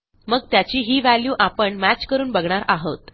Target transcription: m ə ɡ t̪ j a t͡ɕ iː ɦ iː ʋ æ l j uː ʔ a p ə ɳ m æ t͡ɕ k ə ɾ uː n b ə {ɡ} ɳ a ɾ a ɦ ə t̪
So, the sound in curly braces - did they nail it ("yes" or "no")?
yes